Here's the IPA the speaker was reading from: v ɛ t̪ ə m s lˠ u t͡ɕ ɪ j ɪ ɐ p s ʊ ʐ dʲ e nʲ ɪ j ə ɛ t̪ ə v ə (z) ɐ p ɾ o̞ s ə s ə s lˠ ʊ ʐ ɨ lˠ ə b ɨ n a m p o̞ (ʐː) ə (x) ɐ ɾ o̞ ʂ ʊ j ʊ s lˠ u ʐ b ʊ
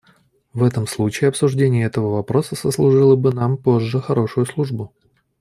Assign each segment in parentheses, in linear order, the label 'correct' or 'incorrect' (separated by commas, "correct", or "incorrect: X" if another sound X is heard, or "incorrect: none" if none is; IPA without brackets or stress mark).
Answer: incorrect: v, correct, correct